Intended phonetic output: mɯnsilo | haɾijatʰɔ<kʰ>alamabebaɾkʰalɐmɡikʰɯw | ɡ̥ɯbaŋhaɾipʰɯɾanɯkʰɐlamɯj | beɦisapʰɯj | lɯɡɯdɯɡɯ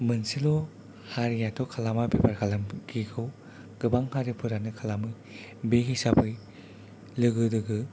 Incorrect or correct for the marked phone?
correct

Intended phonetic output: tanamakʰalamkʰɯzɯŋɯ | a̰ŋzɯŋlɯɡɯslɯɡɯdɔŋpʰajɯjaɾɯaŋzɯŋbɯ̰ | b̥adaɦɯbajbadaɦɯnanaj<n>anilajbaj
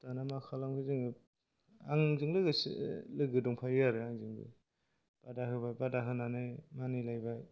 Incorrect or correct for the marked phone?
incorrect: m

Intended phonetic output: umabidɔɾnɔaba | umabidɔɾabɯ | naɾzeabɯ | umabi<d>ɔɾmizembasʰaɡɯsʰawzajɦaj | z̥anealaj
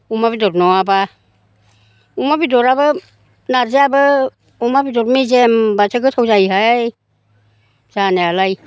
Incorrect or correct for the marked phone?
correct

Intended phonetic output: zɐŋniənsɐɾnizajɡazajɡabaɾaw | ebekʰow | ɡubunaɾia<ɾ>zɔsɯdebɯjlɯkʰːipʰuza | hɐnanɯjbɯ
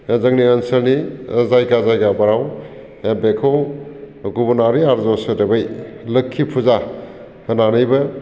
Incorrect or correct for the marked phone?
correct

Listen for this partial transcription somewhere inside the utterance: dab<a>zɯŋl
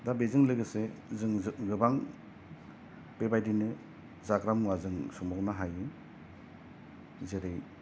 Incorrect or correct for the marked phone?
incorrect: e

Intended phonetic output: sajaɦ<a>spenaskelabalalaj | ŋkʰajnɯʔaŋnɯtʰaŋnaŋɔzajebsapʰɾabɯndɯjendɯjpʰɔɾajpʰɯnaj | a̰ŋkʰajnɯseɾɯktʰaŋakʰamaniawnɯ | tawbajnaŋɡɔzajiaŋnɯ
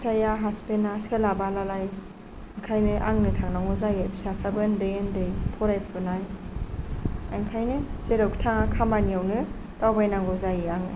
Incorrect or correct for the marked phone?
correct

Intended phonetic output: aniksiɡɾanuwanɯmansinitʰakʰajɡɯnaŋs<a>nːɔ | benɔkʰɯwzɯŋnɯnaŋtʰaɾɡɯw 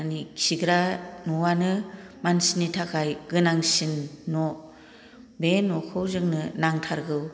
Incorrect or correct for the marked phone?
incorrect: i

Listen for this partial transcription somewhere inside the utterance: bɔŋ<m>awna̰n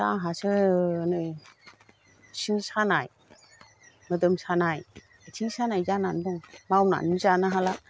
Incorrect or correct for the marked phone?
correct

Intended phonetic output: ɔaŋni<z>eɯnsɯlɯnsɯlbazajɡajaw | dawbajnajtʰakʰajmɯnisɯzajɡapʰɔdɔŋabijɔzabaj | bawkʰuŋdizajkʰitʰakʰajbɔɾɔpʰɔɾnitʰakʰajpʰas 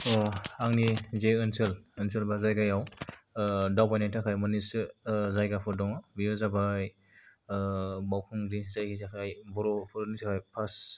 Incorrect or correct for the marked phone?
correct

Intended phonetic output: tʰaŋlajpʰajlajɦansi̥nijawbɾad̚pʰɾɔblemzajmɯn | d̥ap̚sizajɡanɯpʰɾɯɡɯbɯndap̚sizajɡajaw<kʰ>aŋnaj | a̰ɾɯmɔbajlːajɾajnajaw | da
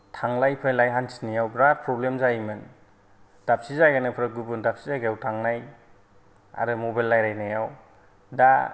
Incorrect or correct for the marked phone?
incorrect: tʰ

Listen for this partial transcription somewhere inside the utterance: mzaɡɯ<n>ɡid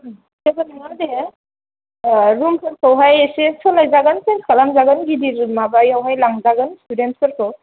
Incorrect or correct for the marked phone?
correct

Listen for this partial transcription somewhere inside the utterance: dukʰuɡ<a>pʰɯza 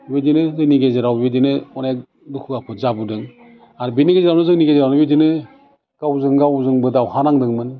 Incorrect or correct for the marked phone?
correct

